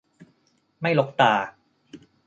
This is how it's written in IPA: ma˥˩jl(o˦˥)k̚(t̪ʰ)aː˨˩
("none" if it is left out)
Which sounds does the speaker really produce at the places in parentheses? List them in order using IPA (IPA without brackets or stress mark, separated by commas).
o˦˥, t̪